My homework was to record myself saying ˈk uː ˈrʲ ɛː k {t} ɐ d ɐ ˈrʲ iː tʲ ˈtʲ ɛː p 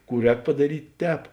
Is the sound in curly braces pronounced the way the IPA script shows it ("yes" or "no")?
no